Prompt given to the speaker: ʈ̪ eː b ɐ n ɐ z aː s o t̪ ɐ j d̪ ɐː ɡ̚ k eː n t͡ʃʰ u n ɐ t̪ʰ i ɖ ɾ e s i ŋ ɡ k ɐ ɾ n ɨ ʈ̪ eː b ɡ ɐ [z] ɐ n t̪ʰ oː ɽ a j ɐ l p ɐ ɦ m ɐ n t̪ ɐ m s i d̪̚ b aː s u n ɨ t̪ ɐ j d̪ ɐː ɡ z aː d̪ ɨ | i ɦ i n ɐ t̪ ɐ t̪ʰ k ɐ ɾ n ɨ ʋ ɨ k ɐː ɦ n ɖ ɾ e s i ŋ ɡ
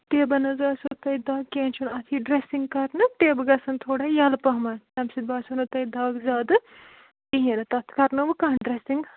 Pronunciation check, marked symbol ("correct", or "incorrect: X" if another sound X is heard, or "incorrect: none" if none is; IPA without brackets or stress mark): incorrect: s